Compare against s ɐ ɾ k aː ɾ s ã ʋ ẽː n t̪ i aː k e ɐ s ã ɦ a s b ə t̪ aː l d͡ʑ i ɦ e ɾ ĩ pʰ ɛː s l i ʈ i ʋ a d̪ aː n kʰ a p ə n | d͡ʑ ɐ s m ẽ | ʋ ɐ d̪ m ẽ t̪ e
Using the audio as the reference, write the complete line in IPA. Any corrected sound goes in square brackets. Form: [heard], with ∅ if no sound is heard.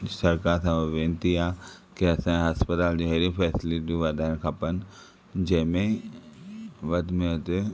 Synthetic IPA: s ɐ ɾ k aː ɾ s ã ʋ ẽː n t̪ i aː k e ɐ s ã ɦ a s [p] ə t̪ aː l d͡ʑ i ɦ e ɾ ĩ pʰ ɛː s l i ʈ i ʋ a d̪ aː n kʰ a p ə n | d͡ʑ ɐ [∅] m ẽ | ʋ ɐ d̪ m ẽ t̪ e

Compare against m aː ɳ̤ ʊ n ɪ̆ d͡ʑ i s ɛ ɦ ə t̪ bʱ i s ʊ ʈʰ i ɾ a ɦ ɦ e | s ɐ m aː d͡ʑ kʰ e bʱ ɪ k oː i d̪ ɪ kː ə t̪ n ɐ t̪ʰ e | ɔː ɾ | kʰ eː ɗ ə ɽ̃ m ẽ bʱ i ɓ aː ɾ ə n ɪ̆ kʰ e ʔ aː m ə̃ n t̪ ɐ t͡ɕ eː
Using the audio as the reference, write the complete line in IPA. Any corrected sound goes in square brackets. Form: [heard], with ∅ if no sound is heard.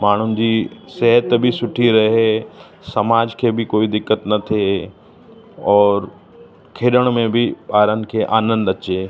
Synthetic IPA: m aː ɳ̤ ʊ n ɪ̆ d͡ʑ i s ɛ ɦ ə t̪ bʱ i s ʊ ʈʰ i ɾ [ɐ] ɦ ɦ e | s ɐ m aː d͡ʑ kʰ e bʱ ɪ k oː i d̪ ɪ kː ə t̪ n ɐ t̪ʰ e | ɔː ɾ | kʰ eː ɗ ə ɽ̃ m ẽ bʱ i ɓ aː ɾ ə n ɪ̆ kʰ e ʔ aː [n] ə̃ n [d̪] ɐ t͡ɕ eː

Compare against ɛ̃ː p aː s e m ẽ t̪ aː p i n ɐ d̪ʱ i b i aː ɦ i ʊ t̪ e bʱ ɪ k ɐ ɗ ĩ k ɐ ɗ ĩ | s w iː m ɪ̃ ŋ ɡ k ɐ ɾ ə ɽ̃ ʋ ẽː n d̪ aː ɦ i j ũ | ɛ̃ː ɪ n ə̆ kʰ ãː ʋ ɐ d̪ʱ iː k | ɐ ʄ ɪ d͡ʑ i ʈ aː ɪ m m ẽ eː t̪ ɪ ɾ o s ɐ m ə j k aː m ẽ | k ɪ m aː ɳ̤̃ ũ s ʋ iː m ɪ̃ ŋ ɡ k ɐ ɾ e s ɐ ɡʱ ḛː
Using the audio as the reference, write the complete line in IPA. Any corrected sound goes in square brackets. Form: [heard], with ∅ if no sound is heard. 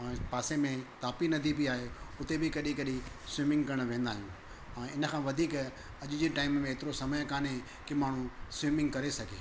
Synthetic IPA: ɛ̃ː p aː s e m ẽ t̪ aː p i n ɐ d̪ʱ i b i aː ɦ [e] ʊ t̪ e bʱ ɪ k ɐ ɗ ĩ k ɐ ɗ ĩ | s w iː m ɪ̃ ŋ ɡ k ɐ ɾ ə ɽ̃ ʋ ẽː n d̪ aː ɦ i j ũ | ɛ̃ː ɪ n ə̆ kʰ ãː ʋ ɐ d̪ʱ iː k | ɐ ʄ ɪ d͡ʑ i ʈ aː ɪ m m ẽ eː t̪ ɪ ɾ o s ɐ m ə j k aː [n] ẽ | k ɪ m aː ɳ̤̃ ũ s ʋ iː m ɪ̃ ŋ ɡ k ɐ ɾ e s ɐ ɡʱ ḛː

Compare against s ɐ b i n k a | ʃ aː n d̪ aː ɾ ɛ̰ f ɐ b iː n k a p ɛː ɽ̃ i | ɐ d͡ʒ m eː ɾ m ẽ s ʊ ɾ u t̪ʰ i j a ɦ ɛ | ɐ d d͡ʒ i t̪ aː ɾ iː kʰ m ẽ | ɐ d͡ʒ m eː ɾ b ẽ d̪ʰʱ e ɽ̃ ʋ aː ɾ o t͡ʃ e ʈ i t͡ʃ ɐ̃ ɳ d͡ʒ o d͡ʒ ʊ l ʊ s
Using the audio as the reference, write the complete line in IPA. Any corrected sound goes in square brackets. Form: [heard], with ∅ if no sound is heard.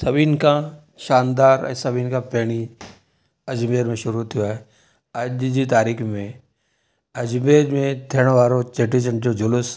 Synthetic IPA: s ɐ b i n k a | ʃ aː n d̪ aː ɾ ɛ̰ [s] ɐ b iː n k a p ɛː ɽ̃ i | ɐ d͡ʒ m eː ɾ m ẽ [ʃ] ʊ ɾ u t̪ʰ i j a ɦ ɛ | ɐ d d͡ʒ i t̪ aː ɾ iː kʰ m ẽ | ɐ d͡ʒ m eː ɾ [m] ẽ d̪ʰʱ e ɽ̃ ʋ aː ɾ o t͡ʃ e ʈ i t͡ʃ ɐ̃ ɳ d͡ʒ o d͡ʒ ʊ l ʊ s

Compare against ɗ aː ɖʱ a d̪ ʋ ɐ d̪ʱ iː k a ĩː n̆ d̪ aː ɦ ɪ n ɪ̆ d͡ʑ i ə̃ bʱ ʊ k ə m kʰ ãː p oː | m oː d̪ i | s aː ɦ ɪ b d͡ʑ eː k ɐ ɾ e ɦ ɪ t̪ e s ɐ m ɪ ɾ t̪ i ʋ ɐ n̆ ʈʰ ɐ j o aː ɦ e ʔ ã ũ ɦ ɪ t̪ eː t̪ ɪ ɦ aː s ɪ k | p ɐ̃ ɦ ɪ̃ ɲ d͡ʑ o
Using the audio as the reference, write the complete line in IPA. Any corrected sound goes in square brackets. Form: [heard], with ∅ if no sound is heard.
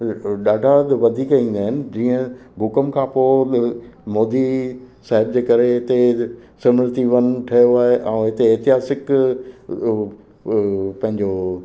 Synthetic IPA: ɗ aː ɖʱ a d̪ ʋ ɐ d̪ʱ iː k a ĩː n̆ d̪ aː ɦ ɪ n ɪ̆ d͡ʑ [iː] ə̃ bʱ ʊ k ə m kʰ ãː p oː | m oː d̪ i | s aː ɦ ɪ b d͡ʑ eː k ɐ ɾ e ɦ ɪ t̪ e s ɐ m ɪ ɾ t̪ i ʋ ɐ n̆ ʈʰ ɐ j o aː ɦ e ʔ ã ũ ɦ ɪ t̪ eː t̪ ɪ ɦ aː s ɪ k | p ɐ̃ ɦ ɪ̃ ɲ d͡ʑ o

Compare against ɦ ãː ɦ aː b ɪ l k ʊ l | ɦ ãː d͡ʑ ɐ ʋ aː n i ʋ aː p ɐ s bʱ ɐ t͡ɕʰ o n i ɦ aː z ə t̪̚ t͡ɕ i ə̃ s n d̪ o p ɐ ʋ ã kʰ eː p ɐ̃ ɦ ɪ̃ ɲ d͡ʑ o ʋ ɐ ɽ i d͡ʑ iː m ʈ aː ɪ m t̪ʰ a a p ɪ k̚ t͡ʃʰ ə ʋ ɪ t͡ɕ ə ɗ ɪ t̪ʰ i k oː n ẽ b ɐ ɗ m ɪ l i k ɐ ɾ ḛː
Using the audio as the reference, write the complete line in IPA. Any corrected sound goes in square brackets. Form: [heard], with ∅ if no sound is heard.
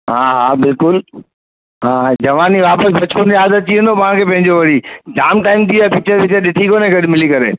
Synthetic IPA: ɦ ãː ɦ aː b ɪ l k ʊ l | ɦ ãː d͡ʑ ɐ ʋ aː n i ʋ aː p [ə] s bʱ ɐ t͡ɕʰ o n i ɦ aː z ə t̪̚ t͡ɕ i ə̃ [∅] n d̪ o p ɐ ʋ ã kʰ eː p ɐ̃ ɦ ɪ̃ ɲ d͡ʑ o ʋ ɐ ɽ i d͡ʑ [aː] m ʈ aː ɪ m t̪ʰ [i] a p ɪ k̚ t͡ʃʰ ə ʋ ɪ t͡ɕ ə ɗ ɪ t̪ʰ i k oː n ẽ [ɡ] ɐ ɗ m ɪ l i k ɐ ɾ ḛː

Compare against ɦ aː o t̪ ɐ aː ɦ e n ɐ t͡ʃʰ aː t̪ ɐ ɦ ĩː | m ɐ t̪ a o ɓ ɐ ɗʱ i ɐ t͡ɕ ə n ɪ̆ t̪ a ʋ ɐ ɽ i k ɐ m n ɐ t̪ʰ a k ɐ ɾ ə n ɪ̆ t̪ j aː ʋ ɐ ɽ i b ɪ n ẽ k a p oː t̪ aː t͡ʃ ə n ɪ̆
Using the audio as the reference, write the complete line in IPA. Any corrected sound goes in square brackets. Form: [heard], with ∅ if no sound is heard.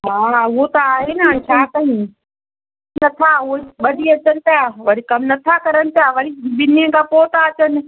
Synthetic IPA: ɦ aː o t̪ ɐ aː ɦ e n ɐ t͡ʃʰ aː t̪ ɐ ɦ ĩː | [n] ɐ [t̪ʰ] a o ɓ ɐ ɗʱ i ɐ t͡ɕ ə n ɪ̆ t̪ a ʋ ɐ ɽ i k ɐ m n ɐ t̪ʰ a k ɐ ɾ ə n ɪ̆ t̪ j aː ʋ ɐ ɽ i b ɪ n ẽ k a p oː t̪ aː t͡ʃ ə n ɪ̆

